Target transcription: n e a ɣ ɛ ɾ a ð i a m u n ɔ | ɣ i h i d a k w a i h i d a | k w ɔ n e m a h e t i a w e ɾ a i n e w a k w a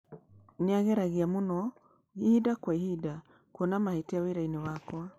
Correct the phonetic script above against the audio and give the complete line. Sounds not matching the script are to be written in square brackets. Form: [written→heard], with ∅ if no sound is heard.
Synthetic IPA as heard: n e a ɣ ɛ ɾ a [ð→ɣ] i a m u n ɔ | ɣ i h i d a k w a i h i d a | k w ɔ n [e→a] m a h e t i a w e ɾ a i n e w a k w a